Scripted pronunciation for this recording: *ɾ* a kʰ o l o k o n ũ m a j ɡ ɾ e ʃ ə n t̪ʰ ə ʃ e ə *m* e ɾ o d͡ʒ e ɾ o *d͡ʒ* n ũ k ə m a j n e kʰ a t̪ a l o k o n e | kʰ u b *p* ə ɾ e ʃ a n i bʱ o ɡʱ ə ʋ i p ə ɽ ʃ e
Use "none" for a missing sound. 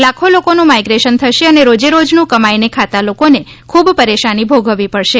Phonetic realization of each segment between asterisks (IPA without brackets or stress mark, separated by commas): l, n, d͡ʒ, p